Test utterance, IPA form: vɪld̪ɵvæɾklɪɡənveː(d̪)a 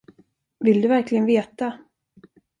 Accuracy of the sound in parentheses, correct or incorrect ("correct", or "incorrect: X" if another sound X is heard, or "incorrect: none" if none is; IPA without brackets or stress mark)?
incorrect: t̪